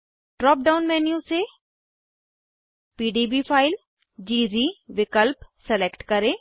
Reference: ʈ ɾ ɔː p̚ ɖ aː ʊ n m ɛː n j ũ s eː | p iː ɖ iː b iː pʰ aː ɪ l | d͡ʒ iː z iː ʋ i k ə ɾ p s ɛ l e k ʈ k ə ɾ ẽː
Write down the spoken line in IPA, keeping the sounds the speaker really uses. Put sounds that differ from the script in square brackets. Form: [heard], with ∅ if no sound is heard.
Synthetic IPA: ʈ ɾ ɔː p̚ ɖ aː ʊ n m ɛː n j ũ s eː | p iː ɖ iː b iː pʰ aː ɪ l | d͡ʒ iː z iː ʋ [ɪ] k ə [l] p s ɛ l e k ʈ k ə ɾ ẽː

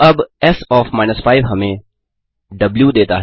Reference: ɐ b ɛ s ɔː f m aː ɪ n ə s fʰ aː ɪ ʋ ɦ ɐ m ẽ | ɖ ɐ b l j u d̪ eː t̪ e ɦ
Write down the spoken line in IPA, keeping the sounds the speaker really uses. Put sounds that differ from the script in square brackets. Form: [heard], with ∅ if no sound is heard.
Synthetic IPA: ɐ b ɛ s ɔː f m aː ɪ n ə s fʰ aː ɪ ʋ ɦ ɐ m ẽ | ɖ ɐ b l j u d̪ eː t̪ [a] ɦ

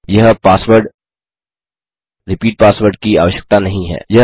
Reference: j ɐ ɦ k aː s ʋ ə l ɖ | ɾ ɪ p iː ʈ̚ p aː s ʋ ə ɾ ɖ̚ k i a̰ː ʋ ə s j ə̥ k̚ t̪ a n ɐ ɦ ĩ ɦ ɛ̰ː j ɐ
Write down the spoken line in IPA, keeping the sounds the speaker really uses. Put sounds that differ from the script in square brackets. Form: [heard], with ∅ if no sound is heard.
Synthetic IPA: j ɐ ɦ [p] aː s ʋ ə [ɾ] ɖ | ɾ ɪ p iː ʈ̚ p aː s ʋ ə ɾ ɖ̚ k i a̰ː ʋ ə [ʃ] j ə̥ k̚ t̪ a n ɐ ɦ ĩ ɦ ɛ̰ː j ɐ

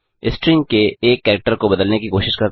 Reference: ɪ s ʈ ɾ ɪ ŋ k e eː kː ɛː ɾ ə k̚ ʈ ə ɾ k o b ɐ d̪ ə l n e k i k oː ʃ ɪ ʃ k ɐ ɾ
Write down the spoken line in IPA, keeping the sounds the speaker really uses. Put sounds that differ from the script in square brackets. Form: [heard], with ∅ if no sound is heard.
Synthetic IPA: ɪ s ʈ ɾ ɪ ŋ k e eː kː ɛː ɾ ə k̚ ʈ ə ɾ k o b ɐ d̪ ə l n e k i k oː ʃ ɪ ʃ k ɐ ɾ

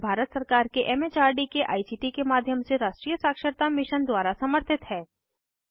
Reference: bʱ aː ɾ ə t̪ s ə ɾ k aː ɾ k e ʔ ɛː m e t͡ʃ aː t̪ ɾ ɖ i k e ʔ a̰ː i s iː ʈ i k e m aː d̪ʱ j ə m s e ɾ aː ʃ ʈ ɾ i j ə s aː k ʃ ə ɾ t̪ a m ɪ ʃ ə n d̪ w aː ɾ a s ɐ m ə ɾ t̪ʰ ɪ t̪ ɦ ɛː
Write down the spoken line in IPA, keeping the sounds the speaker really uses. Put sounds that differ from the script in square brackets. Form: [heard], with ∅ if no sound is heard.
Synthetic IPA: bʱ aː ɾ ə t̪ s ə ɾ k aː ɾ k e ʔ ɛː m e t͡ʃ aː [∅] ɾ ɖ i k e ʔ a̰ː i s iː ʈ i k e m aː d̪ʱ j ə m s e ɾ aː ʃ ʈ ɾ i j ə s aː k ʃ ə ɾ t̪ a m ɪ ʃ ə n d̪ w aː ɾ a s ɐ m ə ɾ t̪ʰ ɪ t̪ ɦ ɛː

